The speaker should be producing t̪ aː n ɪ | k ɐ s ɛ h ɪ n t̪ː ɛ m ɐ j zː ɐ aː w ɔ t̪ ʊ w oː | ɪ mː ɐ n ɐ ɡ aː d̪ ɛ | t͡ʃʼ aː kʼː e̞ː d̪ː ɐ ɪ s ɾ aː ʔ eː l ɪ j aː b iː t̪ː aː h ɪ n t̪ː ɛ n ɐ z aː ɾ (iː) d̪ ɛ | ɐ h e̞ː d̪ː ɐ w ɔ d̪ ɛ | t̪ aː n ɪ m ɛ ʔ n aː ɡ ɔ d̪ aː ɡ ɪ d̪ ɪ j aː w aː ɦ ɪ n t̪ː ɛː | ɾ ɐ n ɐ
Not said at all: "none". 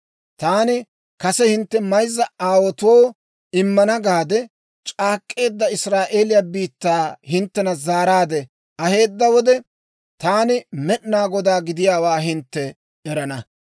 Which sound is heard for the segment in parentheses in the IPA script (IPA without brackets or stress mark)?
aː